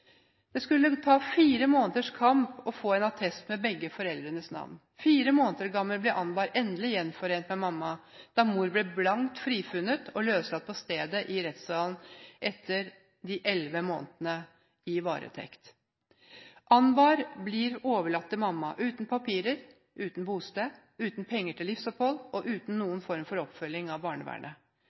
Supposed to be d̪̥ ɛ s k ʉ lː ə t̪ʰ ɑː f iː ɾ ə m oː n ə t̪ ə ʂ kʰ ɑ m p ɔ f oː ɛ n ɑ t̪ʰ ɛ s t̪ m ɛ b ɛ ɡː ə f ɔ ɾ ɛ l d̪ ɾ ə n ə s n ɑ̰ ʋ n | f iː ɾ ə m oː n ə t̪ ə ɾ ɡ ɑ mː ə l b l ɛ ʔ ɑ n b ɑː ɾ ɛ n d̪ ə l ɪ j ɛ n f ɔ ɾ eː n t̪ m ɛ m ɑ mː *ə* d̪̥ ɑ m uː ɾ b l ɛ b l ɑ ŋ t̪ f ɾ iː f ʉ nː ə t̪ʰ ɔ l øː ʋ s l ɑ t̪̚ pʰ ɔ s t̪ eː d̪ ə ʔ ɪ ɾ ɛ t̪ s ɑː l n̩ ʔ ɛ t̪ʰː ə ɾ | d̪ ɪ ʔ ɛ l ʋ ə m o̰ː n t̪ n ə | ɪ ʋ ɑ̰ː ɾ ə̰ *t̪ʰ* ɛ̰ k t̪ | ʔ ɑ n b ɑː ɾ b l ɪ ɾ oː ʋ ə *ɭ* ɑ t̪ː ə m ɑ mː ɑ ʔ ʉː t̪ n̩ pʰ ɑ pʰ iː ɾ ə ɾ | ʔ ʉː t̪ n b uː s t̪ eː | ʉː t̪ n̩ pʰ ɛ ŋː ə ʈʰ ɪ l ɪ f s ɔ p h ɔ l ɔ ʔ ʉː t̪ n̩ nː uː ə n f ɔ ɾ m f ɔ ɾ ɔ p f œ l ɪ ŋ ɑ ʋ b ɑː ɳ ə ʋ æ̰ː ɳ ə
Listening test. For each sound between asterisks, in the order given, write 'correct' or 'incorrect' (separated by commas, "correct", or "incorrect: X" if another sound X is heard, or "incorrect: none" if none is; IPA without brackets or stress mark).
incorrect: ɑ, correct, correct